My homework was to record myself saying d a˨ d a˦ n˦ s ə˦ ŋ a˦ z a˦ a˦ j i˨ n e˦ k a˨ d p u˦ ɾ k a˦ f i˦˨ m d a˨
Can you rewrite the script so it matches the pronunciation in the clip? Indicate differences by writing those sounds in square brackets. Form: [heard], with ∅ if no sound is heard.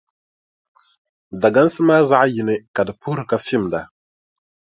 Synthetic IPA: d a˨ [ɡ] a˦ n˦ s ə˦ [m] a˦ z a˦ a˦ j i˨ n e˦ k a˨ d p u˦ ɾ k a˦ f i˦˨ m d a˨